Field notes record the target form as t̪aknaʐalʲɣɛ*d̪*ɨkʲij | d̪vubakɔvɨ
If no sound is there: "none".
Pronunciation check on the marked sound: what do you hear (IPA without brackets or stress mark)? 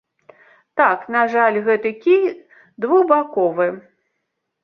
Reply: t̪